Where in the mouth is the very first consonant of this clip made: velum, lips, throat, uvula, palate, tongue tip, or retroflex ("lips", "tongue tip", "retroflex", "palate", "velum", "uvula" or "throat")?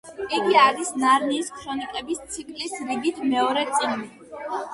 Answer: velum